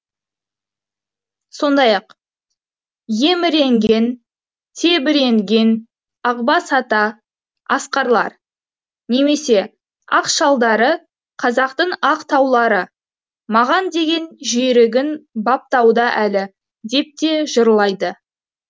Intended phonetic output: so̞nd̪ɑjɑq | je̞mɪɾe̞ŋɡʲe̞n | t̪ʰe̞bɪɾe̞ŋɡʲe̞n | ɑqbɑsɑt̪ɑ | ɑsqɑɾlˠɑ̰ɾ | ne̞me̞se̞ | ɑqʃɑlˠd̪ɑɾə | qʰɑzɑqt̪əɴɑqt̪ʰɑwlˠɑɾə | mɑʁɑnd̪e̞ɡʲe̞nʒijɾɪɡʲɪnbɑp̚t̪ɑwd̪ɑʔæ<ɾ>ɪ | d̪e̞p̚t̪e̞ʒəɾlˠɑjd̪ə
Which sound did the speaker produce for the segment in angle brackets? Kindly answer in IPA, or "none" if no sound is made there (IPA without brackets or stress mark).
l